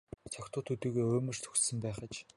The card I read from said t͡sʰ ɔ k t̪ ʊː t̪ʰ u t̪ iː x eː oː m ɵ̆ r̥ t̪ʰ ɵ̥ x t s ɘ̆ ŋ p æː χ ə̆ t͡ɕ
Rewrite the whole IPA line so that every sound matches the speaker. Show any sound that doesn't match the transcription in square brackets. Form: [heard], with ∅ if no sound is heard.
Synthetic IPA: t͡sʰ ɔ k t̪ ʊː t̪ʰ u t̪ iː [ɣ] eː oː m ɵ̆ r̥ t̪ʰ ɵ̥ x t s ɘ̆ [m] p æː χ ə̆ t͡ɕ